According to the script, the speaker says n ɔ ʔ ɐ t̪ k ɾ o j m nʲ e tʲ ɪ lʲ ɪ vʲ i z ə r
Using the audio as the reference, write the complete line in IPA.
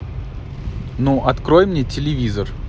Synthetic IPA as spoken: n u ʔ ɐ t̪ k ɾ o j m nʲ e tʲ ɪ lʲ ɪ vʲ i z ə r